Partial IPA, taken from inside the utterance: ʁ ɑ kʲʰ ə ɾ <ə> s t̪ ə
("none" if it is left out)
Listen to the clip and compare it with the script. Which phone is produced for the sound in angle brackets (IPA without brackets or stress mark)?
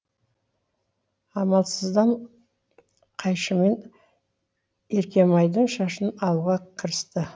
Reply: ə